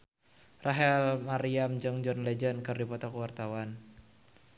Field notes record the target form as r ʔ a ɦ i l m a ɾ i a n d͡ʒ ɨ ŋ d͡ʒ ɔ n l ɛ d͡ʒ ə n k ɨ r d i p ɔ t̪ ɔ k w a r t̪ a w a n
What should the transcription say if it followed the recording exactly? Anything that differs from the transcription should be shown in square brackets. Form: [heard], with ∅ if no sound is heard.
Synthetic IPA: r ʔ a ɦ [ɛ] l m a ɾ i a [m] d͡ʒ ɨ ŋ d͡ʒ ɔ n l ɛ d͡ʒ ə n k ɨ r d i p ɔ t̪ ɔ k w a r t̪ a w a n